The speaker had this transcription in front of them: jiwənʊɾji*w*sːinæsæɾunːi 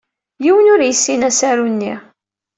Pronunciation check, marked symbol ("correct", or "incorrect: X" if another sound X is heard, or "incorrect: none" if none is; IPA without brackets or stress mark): incorrect: none